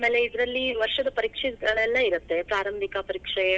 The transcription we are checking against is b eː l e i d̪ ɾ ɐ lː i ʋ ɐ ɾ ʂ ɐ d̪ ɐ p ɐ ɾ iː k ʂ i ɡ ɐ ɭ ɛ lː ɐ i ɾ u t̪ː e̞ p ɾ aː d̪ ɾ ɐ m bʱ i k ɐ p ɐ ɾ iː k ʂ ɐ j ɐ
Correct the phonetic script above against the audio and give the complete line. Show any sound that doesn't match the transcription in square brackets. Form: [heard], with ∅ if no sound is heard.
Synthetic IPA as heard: [m] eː l e i d̪ ɾ ɐ lː i ʋ ɐ ɾ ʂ ɐ d̪ ɐ p ɐ ɾ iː k ʂ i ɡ ɐ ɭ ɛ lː ɐ i ɾ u t̪ː e̞ p ɾ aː [∅] ɾ ɐ m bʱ i k ɐ p ɐ ɾ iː k ʂ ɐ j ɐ